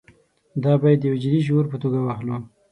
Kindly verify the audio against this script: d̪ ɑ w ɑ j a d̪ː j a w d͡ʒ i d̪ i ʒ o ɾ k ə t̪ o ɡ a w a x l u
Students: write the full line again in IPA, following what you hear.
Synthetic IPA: d̪ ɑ b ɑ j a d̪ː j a w d͡ʒ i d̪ i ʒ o ɾ p ə t̪ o ɡ a w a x l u